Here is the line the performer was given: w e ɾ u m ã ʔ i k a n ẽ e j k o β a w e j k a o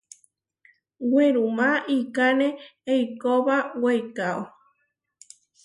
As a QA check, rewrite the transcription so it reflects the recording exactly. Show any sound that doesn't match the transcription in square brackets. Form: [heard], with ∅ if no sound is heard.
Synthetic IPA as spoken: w e ɾ u m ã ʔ i k a n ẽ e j k o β a w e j k a o